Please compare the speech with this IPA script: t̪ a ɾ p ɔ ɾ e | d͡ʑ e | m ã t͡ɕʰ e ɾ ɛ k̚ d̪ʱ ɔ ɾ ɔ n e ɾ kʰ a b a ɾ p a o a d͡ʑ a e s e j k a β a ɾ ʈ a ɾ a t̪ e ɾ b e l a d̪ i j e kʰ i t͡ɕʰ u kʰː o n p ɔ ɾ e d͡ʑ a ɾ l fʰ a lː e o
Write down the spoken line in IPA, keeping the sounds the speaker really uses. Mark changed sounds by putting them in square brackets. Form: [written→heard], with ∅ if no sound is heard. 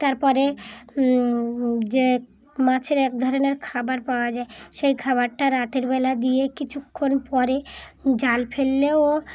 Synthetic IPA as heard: t̪ a ɾ p ɔ ɾ e | d͡ʑ e | m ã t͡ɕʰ e ɾ ɛ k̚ d̪ʱ ɔ ɾ [ɔ→o] n e ɾ kʰ a b a ɾ p a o a d͡ʑ a e [s→ʃ] e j [k→kʰ] a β a ɾ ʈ a ɾ a t̪ e ɾ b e l a d̪ i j e [kʰ→k] i t͡ɕʰ u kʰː o n p ɔ ɾ e d͡ʑ a [ɾ→∅] l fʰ [a→e] lː e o